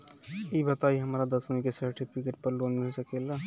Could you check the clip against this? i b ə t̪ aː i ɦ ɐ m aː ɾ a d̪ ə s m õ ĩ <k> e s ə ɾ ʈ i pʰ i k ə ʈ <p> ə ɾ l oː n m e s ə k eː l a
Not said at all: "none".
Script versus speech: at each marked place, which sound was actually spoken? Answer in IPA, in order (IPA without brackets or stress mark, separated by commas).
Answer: k, p